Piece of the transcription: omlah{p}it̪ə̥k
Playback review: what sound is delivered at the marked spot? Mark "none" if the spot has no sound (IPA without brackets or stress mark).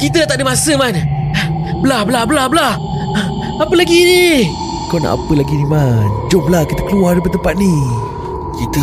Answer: k